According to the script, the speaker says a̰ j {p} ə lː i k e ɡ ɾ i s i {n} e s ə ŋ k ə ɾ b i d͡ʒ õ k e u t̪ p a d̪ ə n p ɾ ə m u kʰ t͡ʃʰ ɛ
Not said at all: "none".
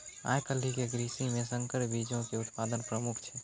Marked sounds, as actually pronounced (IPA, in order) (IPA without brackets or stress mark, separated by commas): k, m